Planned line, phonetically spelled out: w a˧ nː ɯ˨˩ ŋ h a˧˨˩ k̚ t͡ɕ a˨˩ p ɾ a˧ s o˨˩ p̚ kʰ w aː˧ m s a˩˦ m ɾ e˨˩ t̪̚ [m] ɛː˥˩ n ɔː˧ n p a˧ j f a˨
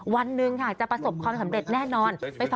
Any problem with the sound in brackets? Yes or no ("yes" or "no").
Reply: yes